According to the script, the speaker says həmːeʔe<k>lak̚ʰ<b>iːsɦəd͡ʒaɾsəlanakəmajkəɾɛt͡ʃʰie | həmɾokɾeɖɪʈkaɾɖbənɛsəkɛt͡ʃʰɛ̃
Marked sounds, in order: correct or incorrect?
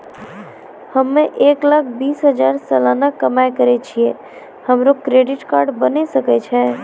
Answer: correct, correct

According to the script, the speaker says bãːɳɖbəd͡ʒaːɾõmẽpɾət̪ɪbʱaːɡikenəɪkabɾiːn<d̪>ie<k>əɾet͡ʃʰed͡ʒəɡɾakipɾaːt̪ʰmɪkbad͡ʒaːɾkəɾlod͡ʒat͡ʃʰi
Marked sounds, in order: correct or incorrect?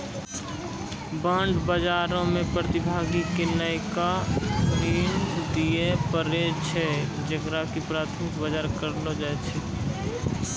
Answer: correct, incorrect

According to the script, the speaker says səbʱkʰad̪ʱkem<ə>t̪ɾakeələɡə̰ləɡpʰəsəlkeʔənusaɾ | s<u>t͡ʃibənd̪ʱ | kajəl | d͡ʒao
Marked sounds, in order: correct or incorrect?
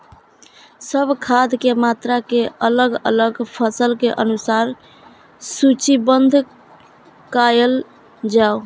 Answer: incorrect, correct

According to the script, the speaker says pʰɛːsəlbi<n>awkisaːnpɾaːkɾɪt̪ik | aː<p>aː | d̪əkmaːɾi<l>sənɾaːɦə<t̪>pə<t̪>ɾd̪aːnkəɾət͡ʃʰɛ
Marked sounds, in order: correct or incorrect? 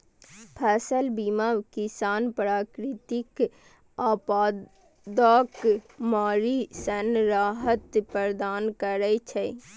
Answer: incorrect, correct, incorrect, correct, incorrect

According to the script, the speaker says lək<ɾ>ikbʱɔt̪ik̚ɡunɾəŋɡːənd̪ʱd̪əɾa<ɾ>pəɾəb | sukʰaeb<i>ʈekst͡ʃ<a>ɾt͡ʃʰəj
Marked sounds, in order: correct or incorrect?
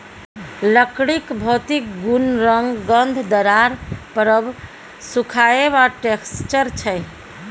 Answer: incorrect, correct, incorrect, incorrect

